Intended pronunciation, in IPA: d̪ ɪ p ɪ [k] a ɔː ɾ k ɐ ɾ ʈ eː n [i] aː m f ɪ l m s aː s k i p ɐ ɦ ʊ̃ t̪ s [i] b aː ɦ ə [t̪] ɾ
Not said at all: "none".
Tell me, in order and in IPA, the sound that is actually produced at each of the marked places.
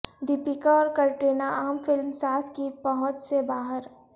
k, a, e, none

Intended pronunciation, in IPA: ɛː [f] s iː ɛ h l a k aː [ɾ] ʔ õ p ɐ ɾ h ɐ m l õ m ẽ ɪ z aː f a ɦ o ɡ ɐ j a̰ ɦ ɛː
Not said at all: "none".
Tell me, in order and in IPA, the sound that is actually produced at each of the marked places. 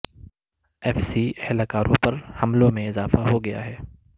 f, ɾ

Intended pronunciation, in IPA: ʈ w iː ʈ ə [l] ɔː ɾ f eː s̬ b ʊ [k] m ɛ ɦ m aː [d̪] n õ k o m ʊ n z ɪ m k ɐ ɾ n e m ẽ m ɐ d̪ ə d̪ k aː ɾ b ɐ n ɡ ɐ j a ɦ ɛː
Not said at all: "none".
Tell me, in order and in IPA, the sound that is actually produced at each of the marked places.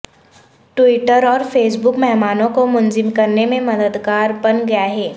ɾ, k, none

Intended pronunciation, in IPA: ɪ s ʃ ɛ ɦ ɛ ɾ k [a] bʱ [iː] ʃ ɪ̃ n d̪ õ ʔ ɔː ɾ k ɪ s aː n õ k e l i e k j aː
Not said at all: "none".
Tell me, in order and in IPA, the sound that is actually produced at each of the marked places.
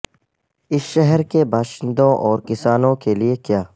e, aː

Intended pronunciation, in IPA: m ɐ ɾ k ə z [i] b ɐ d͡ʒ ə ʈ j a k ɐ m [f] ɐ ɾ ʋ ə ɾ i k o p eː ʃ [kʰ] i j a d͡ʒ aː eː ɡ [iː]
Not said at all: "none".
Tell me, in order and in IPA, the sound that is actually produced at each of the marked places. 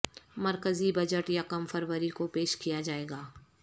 i, f, k, aː

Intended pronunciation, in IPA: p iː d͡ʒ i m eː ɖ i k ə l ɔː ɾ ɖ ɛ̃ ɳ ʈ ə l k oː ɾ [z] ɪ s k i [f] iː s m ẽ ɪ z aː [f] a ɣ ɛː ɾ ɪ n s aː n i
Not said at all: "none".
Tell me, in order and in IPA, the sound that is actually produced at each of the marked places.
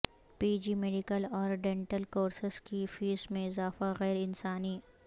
s, f, f

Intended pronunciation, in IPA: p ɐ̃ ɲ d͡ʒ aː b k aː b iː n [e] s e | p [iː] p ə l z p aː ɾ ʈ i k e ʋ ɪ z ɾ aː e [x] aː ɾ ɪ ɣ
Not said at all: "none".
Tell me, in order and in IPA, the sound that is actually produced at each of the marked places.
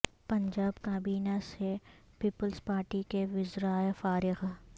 a, iː, f

